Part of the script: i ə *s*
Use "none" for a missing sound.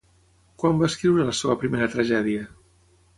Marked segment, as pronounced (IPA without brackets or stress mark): none